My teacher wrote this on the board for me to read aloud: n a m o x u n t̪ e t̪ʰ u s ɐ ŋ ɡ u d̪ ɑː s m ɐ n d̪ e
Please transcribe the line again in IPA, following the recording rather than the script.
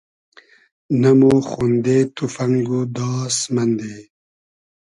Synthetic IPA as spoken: n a m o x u n d̪ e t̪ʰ u f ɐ ŋ ɡ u d̪ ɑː s m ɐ n d̪ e